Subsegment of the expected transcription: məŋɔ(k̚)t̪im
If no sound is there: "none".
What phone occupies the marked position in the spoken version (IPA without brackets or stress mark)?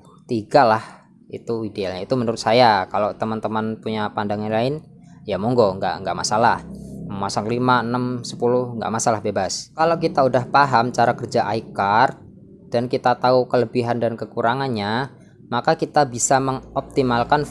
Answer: p̚